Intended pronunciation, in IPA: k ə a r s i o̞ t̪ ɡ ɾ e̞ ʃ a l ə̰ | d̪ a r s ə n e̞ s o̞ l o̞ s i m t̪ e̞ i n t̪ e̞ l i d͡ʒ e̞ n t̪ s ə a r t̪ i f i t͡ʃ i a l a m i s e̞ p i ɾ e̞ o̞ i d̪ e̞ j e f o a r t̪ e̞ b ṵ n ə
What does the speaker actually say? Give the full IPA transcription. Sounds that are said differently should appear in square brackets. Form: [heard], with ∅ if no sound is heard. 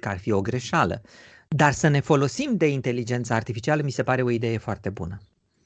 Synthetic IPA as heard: k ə a r [f] i o̞ [∅] ɡ ɾ e̞ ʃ a l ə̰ | d̪ a r s ə n e̞ [f] o̞ l o̞ s i m [d̪] e̞ i n t̪ e̞ l i d͡ʒ e̞ n t̪ s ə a r t̪ i f i t͡ʃ i a l [ə] m i s e̞ p [a] ɾ e̞ o̞ i d̪ e̞ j e f o a r t̪ e̞ b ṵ n ə